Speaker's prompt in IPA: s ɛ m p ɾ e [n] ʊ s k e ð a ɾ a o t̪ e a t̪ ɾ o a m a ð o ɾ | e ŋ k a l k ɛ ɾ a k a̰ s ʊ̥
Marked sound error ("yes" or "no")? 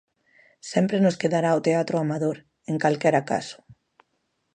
no